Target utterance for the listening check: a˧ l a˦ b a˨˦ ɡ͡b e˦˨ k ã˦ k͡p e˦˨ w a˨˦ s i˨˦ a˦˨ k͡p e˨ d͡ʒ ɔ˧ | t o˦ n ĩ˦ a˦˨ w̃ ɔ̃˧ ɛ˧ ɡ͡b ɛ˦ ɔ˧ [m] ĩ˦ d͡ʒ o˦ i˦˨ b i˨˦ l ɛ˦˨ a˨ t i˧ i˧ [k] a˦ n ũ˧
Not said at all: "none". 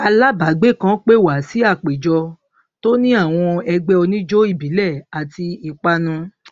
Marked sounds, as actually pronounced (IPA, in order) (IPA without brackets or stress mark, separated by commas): n, k͡p